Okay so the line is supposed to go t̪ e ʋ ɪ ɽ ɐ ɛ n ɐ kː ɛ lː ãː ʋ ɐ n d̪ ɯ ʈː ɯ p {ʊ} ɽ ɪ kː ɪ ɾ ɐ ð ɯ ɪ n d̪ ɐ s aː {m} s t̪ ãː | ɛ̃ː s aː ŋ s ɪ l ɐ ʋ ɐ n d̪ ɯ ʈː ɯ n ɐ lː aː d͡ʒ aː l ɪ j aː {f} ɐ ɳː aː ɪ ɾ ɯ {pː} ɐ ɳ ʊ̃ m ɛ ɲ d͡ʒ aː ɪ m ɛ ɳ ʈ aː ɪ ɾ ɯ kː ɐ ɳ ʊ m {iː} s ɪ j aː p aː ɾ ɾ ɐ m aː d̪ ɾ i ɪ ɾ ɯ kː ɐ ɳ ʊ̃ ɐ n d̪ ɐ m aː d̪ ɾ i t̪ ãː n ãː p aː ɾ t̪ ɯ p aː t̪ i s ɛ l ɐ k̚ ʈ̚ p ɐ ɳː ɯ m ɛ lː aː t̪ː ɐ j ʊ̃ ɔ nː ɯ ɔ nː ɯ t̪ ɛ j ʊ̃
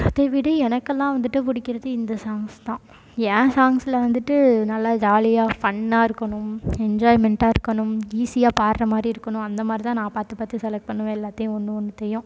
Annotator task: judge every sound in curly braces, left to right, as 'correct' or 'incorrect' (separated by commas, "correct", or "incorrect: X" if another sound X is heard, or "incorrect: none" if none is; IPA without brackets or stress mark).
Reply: correct, incorrect: ŋ, correct, incorrect: kː, correct